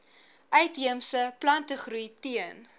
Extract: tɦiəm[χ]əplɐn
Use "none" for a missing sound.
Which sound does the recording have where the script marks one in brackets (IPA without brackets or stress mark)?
s